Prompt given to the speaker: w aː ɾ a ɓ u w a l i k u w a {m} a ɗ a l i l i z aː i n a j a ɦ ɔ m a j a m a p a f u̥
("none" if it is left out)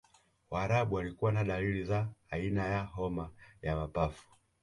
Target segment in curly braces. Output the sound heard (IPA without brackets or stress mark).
n